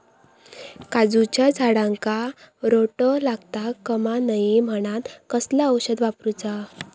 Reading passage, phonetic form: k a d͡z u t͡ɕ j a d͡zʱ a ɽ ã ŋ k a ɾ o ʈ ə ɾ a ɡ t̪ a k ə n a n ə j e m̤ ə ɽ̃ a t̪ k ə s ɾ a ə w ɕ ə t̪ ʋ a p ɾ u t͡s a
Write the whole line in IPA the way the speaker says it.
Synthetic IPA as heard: k a d͡z u t͡ɕ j a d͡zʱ a ɽ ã ŋ k a ɾ o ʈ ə l a ɡ t̪ a k ə m a n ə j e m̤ ə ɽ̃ a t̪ k ə s l a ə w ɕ ə d̪ ʋ a p ɾ u t͡s a